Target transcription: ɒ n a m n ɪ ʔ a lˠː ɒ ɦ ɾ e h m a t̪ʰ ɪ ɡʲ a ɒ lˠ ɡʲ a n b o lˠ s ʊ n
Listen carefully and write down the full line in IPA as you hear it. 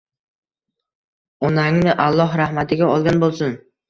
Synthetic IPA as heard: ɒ n a ŋ n ɪ ʔ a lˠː ɒ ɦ ɾ a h m a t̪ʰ ɪ ɡʲ a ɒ lˠ ɡʲ a n b o lˠ s ʊ n